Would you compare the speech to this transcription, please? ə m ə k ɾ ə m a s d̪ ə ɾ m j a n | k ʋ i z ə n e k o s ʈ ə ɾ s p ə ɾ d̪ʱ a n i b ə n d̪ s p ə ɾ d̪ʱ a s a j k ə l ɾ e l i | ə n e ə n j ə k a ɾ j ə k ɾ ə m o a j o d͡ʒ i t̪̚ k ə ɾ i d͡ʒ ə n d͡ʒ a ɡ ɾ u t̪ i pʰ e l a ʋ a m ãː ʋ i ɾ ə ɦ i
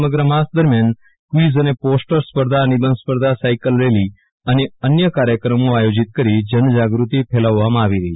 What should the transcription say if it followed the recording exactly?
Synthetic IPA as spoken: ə m ə ɡ ɾ ə m a s d̪ ə ɾ m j a n | k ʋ i z ə n e p o s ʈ ə ɾ s p ə ɾ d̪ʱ a n i b ə n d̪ s p ə ɾ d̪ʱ a s a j k ə l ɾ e l i | ə n e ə n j ə k a ɾ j ə k ɾ ə m o a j o d͡ʒ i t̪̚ k ə ɾ i d͡ʒ ə n d͡ʒ a ɡ ɾ u t̪ i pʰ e l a ʋː a m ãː ʋ i ɾ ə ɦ i